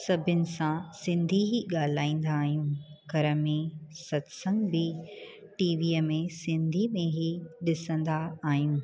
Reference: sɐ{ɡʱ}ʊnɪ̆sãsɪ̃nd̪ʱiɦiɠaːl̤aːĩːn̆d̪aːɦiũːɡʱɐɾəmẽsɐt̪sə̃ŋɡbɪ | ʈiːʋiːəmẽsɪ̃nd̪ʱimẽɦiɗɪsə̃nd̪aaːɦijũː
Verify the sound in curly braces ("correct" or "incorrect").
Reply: incorrect